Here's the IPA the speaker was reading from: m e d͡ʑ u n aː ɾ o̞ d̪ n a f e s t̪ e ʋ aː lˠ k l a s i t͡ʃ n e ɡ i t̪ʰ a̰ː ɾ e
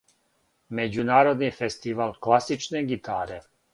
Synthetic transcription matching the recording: m e d͡ʑ u n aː ɾ o̞ d̪ n i f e s t̪ i ʋ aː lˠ k l a s i t͡ʃ n e ɡ i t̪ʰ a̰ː ɾ e